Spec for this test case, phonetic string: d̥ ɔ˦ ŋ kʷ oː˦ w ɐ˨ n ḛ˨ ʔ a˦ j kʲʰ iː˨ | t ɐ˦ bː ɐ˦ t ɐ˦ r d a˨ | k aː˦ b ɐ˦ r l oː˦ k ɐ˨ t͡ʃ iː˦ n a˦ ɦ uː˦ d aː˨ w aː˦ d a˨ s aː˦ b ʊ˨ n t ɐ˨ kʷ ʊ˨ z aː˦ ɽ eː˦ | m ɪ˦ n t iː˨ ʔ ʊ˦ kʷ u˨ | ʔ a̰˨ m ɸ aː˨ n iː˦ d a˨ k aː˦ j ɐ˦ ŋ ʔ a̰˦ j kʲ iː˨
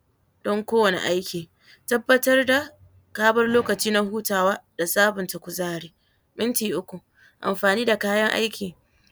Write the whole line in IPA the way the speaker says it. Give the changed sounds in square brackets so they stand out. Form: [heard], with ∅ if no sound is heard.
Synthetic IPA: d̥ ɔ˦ ŋ kʷ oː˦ w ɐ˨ n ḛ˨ ʔ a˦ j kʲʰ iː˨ | t ɐ˦ bː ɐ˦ t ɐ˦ r d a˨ | k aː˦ b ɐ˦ r l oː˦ k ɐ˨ t͡ʃ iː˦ n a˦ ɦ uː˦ [t] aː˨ w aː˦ d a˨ s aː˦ b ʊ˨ n t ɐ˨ kʷ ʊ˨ z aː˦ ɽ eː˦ | m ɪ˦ n t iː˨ ʔ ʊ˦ kʷ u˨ | ʔ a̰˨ m ɸ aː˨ n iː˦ d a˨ k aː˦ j ɐ˦ ŋ ʔ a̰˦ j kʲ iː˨

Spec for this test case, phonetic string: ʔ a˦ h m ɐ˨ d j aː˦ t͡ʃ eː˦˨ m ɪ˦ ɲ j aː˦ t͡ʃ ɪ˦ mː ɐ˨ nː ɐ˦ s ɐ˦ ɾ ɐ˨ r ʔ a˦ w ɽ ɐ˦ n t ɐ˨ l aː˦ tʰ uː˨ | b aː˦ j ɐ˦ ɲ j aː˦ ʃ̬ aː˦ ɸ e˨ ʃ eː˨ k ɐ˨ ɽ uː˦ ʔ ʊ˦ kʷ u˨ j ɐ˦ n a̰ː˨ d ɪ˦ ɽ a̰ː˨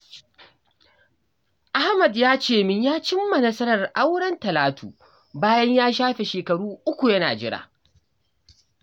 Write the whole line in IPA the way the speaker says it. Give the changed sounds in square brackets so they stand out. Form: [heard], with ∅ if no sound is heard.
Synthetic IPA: ʔ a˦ h m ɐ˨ d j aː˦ t͡ʃ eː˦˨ m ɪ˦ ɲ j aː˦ t͡ʃ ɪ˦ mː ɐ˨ [n] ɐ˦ s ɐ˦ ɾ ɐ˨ r ʔ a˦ w ɽ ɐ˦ n t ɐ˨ l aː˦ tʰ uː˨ | b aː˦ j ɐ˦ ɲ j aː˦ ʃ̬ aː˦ ɸ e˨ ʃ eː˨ k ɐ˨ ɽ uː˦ ʔ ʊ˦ kʷ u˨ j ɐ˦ n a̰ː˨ [d͡ʒ] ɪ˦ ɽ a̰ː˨

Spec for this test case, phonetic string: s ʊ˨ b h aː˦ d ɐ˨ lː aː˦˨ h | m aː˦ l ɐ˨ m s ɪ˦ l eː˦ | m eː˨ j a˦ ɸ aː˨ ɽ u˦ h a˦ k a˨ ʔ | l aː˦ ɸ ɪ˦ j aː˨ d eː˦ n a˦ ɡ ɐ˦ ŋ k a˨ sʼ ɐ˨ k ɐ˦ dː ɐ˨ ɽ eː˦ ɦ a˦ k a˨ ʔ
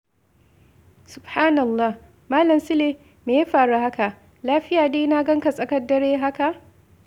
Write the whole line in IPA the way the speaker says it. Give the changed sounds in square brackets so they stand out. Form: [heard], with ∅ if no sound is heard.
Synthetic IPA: s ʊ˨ b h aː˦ [n] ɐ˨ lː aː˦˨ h | m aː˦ l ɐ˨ m s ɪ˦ l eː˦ | m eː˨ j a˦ ɸ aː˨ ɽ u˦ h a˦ k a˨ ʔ | l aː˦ ɸ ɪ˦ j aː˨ d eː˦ n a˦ ɡ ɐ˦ ŋ k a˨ sʼ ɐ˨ k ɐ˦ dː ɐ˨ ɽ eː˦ ɦ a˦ k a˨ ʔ

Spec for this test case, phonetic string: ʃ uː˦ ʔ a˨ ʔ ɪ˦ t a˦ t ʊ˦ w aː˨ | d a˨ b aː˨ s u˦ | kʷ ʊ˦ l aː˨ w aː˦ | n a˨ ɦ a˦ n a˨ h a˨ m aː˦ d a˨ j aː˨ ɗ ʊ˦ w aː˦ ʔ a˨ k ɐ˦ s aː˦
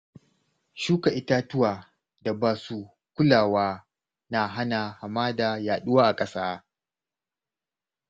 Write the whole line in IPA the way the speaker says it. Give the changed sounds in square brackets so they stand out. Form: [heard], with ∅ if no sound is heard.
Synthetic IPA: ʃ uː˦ [k] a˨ ʔ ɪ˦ t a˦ t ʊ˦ w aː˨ | d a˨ b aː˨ s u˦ | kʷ ʊ˦ l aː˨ w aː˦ | n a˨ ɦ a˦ n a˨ h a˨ m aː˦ d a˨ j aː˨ ɗ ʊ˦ w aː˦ ʔ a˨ [kʼ] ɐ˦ s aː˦

